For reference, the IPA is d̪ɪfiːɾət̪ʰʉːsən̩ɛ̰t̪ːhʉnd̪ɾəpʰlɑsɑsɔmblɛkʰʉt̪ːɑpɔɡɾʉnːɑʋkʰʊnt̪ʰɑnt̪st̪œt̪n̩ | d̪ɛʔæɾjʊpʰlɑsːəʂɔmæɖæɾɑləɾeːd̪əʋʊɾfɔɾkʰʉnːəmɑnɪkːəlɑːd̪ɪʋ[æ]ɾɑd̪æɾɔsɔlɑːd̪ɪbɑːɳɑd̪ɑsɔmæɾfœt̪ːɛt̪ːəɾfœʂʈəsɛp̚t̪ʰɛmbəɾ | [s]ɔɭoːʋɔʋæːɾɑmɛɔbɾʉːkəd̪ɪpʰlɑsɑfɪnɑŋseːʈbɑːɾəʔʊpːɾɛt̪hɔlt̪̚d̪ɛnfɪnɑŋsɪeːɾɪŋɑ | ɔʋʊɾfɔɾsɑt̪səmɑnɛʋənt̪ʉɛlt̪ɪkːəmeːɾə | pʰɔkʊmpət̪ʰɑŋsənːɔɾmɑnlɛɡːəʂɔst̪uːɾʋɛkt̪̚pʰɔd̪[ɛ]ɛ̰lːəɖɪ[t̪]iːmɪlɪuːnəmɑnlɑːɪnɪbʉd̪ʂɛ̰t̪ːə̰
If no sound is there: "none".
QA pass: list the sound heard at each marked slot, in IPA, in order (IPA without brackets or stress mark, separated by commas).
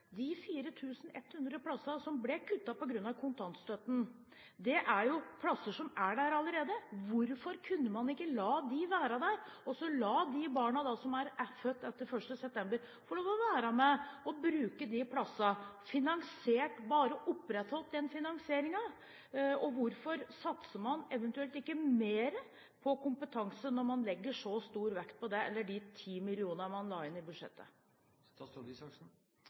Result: æː, f, ɛ, t̪ʰ